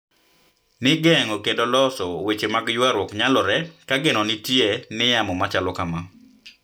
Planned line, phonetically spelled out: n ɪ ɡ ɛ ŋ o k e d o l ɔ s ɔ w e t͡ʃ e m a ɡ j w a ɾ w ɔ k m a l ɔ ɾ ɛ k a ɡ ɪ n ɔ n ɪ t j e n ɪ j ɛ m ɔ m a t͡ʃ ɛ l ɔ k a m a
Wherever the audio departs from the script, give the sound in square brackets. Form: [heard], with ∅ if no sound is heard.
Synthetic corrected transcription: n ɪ ɡ ɛ ŋ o k e d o l ɔ s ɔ w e t͡ʃ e m a ɡ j w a ɾ w ɔ k [ɲ] a l ɔ ɾ ɛ k a ɡ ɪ n ɔ n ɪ t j e n ɪ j [a] m ɔ m a t͡ʃ [a] l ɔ k a m a